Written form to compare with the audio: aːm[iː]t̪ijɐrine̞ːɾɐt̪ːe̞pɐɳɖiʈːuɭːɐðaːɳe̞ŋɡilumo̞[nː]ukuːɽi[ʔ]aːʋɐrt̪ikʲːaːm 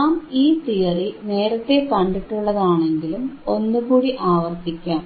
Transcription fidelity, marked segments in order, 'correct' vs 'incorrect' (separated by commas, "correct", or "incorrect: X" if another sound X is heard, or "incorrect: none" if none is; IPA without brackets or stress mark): correct, correct, correct